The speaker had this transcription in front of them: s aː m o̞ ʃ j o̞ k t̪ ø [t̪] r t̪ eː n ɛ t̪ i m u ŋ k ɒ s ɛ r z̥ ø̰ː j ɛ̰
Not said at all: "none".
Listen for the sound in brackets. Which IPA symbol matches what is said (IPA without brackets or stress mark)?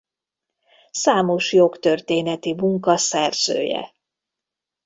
none